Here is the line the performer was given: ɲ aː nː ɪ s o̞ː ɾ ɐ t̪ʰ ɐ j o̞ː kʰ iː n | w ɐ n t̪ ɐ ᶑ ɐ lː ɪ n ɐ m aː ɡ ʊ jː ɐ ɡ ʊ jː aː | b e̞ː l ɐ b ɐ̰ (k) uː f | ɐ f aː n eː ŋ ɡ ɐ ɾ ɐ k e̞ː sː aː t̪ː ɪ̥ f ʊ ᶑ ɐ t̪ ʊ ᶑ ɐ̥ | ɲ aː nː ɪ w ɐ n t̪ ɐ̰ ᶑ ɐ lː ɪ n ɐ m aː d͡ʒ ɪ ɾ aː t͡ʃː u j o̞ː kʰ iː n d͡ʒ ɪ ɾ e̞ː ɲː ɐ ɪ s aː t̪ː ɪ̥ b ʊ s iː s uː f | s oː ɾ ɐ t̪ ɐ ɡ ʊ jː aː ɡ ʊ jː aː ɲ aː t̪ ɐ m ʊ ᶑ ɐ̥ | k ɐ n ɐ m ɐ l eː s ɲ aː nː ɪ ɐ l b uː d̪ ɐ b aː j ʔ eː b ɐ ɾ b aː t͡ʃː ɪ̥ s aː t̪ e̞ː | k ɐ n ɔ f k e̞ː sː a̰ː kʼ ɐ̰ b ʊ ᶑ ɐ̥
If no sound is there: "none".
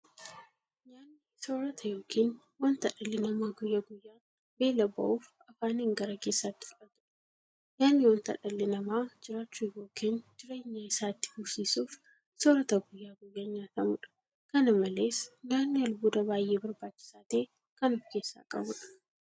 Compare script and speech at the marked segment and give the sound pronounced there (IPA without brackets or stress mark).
ʔ